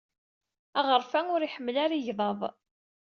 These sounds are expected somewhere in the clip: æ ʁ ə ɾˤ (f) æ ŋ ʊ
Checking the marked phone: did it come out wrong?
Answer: no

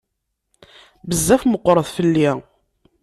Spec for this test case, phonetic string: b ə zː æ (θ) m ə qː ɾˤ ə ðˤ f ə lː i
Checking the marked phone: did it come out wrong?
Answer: yes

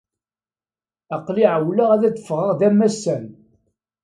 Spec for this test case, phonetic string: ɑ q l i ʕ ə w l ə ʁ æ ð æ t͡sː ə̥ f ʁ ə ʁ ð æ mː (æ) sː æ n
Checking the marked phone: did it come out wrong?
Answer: no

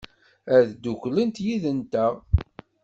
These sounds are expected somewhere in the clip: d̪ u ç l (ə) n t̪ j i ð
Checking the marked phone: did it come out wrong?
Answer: no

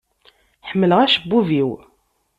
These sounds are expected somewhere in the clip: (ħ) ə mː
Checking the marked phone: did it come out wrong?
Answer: no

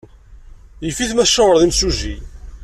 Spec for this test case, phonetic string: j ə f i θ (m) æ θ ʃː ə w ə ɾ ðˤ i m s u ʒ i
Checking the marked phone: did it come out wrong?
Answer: no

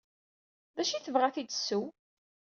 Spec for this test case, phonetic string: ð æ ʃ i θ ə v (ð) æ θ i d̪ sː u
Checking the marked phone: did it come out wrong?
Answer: yes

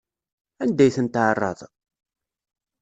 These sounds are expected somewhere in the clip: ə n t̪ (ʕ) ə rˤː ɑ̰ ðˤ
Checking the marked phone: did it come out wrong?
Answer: no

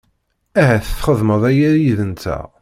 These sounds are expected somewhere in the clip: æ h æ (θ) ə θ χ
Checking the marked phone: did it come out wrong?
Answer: no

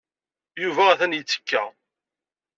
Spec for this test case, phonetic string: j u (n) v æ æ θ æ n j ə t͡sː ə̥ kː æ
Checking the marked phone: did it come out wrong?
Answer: yes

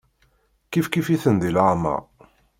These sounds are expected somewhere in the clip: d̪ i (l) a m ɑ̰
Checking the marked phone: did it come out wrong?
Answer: no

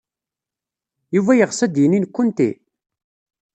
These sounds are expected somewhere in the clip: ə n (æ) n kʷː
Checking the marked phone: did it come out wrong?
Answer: yes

